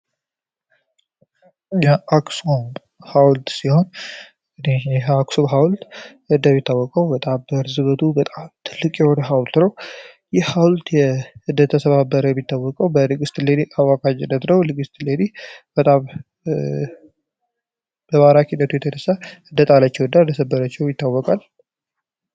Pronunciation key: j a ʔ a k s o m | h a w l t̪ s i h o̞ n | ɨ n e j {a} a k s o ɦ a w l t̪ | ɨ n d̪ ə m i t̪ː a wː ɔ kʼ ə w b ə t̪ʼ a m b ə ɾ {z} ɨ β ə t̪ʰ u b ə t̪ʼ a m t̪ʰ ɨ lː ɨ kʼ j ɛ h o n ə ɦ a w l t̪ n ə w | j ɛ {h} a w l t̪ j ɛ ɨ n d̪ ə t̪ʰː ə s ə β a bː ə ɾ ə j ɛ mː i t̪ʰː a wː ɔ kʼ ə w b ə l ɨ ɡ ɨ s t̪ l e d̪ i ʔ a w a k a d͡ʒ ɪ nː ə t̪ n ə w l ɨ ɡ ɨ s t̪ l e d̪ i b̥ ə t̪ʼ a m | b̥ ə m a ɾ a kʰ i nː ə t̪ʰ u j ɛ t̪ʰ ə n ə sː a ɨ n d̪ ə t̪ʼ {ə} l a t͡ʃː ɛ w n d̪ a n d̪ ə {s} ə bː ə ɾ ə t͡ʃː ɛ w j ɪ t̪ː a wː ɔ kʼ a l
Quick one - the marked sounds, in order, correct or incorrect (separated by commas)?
incorrect, correct, correct, incorrect, correct